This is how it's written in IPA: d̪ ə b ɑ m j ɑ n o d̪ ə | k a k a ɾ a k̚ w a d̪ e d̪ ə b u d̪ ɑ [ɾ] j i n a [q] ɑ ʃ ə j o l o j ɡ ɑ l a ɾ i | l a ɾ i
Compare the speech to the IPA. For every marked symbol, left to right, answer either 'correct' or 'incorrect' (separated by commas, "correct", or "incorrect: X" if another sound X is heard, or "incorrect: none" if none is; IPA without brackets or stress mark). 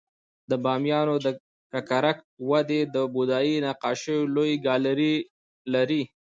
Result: incorrect: none, correct